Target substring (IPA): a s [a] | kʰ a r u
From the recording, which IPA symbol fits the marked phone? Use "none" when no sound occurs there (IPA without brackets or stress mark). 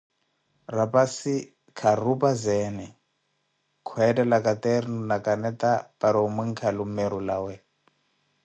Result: i